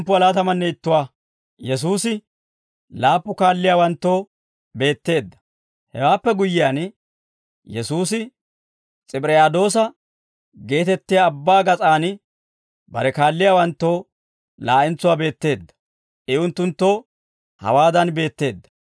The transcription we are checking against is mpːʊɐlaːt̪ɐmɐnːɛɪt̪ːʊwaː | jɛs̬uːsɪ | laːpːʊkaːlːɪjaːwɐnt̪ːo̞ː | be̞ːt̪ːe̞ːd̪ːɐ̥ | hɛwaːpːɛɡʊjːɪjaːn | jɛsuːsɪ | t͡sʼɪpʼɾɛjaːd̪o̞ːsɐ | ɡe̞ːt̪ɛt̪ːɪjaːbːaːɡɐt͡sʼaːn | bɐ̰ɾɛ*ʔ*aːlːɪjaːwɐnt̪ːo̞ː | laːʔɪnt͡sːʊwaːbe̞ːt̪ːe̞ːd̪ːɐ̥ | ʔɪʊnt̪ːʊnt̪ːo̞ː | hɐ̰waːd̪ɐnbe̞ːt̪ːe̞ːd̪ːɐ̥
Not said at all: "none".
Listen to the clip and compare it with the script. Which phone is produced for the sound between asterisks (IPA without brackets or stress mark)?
k